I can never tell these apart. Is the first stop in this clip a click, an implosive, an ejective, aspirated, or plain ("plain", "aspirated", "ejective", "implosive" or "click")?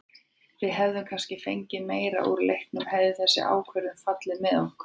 aspirated